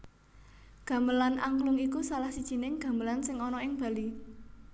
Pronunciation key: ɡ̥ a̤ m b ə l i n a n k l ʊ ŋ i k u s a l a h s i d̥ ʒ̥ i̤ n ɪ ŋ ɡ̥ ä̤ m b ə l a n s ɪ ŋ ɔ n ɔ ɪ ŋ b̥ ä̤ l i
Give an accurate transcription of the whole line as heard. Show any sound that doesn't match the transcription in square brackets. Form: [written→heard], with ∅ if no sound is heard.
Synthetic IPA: ɡ̥ a̤ m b ə l [i→a] n a [n→ŋ] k l ʊ ŋ i k u s a l a h s i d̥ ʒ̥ i̤ n ɪ ŋ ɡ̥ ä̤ m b ə l a n s ɪ ŋ ɔ n ɔ ɪ ŋ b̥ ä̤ l i